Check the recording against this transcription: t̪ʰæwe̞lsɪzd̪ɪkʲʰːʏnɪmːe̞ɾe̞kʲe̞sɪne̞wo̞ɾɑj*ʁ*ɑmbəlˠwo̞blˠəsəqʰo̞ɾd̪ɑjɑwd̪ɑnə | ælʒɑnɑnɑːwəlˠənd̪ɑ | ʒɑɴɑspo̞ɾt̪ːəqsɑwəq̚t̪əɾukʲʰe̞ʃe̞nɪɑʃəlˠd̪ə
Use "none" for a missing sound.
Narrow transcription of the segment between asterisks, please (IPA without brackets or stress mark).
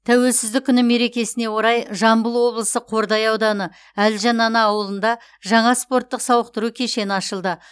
ʒ